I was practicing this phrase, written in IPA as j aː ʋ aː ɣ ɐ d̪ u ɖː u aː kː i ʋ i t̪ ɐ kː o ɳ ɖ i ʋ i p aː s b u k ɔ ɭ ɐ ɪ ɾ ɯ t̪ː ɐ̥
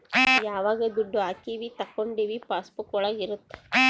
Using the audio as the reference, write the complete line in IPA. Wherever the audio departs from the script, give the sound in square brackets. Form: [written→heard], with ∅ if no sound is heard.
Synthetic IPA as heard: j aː ʋ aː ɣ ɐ d̪ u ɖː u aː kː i ʋ i t̪ ɐ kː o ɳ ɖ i ʋ i p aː s [b→p] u k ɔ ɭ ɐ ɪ ɾ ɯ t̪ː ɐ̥

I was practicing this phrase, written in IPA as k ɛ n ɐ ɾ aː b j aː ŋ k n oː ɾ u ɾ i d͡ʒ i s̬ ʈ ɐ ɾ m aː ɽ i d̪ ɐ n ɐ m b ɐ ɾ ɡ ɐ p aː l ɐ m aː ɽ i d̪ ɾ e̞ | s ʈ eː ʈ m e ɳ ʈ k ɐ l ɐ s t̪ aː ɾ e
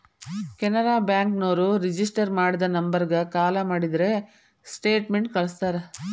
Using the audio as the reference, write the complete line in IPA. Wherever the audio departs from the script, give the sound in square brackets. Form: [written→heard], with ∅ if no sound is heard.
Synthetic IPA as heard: k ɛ n ɐ ɾ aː b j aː ŋ k n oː ɾ u ɾ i d͡ʒ i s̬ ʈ ɐ ɾ m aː ɽ i d̪ ɐ n ɐ m b ɐ ɾ ɡ ɐ [p→k] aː l ɐ m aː ɽ i d̪ ɾ e̞ | s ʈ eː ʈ m e ɳ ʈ k ɐ [l→ɭ] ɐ s t̪ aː ɾ e

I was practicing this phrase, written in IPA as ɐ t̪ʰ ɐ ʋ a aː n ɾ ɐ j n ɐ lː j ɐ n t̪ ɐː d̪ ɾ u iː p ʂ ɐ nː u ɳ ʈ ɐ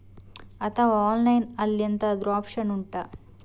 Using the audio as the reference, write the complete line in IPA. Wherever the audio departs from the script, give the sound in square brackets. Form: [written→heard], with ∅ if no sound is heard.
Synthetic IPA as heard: ɐ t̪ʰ ɐ ʋ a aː n [ɾ→l] ɐ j n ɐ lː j ɐ n t̪ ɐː d̪ ɾ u [iː→aː] p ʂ ɐ [nː→n] u ɳ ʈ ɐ

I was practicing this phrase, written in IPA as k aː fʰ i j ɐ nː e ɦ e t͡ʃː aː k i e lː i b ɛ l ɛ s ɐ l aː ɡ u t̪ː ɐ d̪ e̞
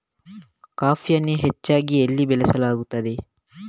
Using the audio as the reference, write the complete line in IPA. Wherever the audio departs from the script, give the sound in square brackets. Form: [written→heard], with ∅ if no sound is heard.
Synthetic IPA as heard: k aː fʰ i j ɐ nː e ɦ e t͡ʃː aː [k→ɡ] i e lː i b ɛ l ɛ s ɐ l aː ɡ u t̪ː ɐ d̪ e̞

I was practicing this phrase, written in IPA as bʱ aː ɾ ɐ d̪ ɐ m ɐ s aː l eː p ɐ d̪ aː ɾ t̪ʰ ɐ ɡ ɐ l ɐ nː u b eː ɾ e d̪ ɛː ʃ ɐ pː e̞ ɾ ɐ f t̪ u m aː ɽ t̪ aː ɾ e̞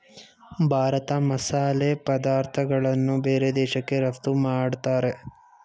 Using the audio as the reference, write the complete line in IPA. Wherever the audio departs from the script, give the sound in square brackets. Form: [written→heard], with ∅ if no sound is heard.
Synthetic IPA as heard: bʱ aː ɾ ɐ [d̪→t̪] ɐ m ɐ s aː l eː p ɐ d̪ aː ɾ t̪ʰ ɐ ɡ ɐ [l→ɭ] ɐ nː u b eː ɾ e d̪ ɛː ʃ ɐ [pː→kː] e̞ ɾ ɐ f t̪ u m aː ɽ t̪ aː ɾ e̞

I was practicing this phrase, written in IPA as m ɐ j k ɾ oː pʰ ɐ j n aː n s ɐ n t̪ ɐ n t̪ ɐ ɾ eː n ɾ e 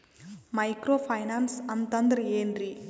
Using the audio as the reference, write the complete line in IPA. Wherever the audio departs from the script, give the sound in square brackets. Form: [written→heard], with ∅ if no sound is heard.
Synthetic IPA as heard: m ɐ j k ɾ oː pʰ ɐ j n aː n s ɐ n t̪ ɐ n [t̪→d̪] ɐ ɾ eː n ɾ [e→i]

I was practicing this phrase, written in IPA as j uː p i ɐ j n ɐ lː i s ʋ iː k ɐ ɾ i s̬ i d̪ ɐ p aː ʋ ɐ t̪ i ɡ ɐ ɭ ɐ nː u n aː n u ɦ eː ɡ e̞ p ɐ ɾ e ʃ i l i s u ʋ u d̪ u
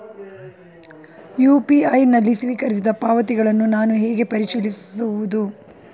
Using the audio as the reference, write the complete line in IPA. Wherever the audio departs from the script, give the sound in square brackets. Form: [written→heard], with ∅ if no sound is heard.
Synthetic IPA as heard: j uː p i ɐ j n ɐ lː i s ʋ iː k ɐ ɾ i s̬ i d̪ ɐ p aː ʋ ɐ t̪ i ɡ ɐ ɭ ɐ nː u n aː n u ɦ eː ɡ e̞ p ɐ ɾ [e→i] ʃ i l i s u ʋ u d̪ u

